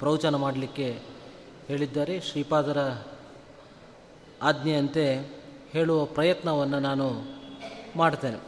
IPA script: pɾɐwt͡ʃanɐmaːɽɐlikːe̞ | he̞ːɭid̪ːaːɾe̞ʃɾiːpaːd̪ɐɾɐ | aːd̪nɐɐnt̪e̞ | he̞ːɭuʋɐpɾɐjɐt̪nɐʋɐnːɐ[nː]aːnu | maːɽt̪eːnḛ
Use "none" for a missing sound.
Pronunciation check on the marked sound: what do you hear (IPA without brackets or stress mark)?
n